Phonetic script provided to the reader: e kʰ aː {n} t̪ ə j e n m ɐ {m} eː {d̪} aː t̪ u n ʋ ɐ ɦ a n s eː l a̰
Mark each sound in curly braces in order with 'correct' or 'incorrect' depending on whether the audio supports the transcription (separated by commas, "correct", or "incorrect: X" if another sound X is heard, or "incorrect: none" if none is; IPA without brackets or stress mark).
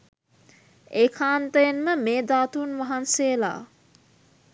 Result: correct, correct, correct